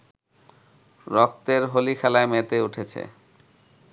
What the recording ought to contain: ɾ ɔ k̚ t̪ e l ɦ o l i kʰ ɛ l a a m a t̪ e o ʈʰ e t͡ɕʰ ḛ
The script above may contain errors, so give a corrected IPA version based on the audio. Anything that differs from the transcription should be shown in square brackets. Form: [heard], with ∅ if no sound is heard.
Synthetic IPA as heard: ɾ ɔ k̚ t̪ e [ɾ] ɦ o l i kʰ ɛ l a [e] m [e] t̪ e [u] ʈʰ e t͡ɕʰ ḛ